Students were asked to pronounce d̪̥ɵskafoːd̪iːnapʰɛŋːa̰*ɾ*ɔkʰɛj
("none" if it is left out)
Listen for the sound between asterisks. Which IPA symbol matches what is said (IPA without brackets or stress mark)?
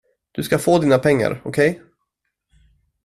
ɾ